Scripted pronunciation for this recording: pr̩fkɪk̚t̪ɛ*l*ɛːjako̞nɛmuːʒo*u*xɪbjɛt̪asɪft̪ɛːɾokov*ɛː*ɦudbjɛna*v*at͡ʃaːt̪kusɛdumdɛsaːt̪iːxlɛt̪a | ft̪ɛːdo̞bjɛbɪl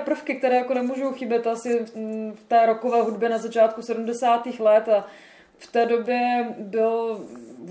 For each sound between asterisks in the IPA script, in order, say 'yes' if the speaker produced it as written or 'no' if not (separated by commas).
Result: no, no, yes, no